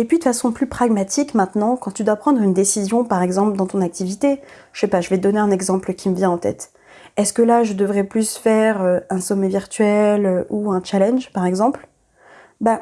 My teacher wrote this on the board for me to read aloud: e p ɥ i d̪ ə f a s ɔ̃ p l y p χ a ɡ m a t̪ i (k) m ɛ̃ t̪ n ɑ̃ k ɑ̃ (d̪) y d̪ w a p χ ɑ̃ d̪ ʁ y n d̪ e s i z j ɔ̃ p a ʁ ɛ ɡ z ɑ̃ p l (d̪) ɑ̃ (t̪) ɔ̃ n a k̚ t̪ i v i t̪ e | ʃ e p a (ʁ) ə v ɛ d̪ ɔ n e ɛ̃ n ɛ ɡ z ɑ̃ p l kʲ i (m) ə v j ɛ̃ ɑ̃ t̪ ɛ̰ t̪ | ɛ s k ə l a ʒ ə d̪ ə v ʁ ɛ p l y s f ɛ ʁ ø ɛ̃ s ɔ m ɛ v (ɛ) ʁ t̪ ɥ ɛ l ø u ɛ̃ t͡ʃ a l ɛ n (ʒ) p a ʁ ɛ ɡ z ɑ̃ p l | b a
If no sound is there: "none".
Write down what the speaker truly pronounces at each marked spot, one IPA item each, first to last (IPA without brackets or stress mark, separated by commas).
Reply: k, t̪, d̪, t̪, ʒ, m, i, ʒ